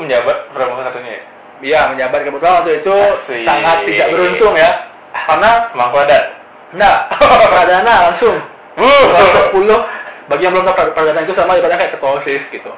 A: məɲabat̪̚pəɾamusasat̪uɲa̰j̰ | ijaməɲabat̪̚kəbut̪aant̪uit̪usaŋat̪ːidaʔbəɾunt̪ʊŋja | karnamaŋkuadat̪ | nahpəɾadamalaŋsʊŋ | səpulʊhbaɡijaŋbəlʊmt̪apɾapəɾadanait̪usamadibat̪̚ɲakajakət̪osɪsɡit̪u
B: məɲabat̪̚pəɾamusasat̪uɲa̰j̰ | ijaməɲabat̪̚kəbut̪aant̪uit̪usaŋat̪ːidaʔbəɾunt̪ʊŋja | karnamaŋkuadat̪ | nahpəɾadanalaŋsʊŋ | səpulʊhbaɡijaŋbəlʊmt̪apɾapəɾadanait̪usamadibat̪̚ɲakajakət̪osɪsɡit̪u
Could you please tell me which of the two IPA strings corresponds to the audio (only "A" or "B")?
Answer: B